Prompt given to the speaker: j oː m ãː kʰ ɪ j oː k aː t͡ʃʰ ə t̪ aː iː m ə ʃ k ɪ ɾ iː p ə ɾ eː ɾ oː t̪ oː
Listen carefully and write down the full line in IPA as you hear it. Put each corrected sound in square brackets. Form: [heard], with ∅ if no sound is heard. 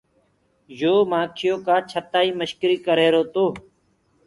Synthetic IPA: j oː m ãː kʰ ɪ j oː k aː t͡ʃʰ ə t̪ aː iː m ə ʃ k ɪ ɾ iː [k] ə ɾ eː ɾ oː t̪ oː